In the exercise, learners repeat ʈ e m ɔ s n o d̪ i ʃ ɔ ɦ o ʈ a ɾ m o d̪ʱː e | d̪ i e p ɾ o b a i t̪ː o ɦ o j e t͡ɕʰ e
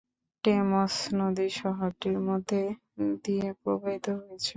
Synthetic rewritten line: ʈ e m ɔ s n o d̪ i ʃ ɔ ɦ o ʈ i ɾ m o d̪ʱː e | d̪ i e p ɾ o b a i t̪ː o ɦ o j e t͡ɕʰ e